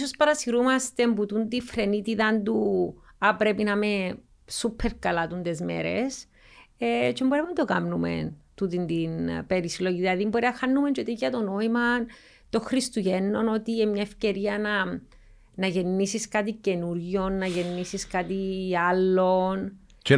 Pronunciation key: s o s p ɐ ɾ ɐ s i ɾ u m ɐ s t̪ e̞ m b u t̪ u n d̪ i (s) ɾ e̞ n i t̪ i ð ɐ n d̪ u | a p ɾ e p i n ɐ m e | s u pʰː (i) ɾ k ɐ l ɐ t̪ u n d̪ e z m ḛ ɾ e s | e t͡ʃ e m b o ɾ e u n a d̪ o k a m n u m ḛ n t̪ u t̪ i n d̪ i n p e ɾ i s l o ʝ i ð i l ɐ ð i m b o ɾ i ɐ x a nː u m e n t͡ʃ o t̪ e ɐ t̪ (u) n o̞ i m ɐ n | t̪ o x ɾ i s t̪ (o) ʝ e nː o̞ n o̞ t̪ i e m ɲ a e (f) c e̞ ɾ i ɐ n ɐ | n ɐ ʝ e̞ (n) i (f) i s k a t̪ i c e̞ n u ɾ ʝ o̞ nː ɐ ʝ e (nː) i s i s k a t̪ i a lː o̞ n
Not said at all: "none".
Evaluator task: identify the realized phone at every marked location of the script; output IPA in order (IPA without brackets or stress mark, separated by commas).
f, e, o, u, f, nː, s, nː